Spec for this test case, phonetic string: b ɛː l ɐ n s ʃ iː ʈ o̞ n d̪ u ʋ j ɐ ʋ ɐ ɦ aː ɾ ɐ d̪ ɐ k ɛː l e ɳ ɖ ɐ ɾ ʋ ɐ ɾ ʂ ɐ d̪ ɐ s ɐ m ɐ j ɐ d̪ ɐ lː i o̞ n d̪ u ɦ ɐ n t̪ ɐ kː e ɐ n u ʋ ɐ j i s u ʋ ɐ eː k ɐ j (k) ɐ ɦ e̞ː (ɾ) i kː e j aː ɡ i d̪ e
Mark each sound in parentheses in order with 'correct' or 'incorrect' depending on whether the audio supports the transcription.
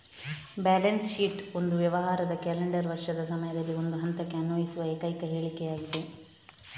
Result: correct, incorrect

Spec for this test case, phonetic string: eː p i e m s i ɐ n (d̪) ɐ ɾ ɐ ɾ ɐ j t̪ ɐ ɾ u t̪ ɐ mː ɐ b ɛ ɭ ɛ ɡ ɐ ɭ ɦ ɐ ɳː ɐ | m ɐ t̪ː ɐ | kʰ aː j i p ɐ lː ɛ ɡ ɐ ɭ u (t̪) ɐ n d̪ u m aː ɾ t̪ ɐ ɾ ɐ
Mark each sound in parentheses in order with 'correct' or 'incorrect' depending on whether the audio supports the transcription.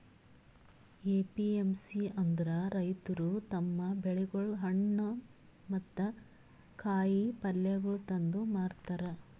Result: correct, correct

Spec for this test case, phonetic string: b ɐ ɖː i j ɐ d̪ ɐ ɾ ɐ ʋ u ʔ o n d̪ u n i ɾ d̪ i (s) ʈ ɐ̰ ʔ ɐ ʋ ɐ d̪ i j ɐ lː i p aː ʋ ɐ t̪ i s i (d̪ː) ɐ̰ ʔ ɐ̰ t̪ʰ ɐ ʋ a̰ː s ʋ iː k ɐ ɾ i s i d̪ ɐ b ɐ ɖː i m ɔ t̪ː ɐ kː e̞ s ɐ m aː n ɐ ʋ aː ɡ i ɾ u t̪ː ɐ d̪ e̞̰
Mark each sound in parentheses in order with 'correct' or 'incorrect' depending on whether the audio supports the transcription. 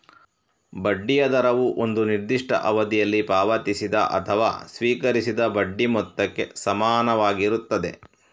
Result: incorrect, incorrect

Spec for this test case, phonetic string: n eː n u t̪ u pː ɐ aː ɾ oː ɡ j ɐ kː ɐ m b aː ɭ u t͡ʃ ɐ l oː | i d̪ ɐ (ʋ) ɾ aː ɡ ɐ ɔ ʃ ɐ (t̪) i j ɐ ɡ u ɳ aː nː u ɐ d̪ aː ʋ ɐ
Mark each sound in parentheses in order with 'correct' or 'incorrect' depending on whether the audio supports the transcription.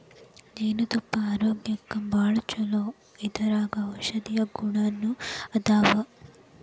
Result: incorrect, incorrect

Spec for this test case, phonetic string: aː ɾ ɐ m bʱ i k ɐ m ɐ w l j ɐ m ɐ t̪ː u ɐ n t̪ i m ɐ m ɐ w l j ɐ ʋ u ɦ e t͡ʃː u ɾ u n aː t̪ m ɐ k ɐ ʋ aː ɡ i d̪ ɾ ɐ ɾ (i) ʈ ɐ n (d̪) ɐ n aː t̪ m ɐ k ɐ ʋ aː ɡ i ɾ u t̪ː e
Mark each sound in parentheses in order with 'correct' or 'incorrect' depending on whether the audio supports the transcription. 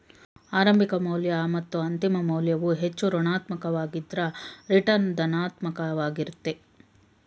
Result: correct, correct

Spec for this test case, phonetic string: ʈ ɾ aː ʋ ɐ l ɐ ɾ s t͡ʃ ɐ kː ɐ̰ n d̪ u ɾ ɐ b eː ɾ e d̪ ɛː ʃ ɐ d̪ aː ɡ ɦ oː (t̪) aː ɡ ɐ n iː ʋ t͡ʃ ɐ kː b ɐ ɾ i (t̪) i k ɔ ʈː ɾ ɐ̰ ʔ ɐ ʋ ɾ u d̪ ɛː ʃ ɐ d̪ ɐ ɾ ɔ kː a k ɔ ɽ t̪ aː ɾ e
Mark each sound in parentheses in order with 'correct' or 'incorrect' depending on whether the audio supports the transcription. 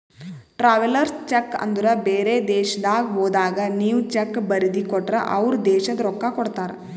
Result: incorrect, incorrect

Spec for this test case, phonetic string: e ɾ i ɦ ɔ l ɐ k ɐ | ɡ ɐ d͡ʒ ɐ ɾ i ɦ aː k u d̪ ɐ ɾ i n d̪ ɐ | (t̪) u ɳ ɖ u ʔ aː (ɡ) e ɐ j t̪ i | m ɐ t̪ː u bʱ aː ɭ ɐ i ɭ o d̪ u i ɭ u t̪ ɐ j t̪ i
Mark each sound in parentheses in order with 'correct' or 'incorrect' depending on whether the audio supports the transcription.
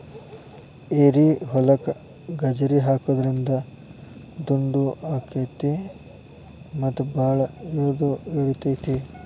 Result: incorrect, incorrect

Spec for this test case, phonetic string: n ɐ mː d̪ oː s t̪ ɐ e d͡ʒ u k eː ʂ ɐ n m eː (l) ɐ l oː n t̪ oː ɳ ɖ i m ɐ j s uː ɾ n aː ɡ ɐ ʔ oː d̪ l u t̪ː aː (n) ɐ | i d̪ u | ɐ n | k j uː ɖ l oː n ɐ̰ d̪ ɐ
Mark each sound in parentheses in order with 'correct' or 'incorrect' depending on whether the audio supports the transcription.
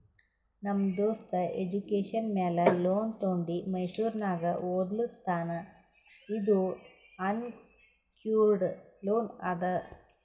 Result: correct, correct

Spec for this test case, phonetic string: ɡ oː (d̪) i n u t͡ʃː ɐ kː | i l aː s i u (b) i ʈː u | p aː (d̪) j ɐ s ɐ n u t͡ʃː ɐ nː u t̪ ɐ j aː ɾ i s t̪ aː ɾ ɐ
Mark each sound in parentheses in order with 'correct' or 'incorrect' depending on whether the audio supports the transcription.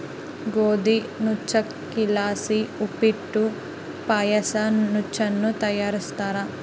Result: correct, incorrect, incorrect

